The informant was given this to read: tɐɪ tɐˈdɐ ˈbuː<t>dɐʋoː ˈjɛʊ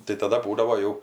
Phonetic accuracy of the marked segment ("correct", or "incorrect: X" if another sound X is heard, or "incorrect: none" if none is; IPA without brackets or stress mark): incorrect: none